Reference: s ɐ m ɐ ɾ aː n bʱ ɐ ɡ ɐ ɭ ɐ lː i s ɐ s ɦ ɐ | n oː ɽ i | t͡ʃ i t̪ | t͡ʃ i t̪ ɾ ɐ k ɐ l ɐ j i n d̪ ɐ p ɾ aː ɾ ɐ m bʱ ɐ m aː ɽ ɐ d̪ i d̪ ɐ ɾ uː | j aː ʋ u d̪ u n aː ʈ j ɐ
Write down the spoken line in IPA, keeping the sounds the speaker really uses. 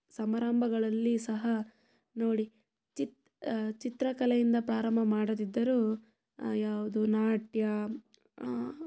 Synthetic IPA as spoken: s ɐ m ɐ ɾ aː m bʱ ɐ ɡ ɐ ɭ ɐ lː i s ɐ ɦ ɐ | n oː ɽ i | t͡ʃ i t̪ | t͡ʃ i t̪ ɾ ɐ k ɐ l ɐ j i n d̪ ɐ p ɾ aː ɾ ɐ m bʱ ɐ m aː ɽ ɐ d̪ i d̪ː ɐ ɾ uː | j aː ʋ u d̪ u n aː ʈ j ɐ